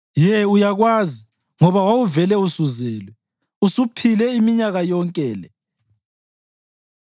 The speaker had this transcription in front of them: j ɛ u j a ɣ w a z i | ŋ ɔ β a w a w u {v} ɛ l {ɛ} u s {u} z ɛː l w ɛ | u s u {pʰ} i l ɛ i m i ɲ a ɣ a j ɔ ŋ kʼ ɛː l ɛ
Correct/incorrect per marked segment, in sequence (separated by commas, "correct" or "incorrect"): correct, correct, correct, correct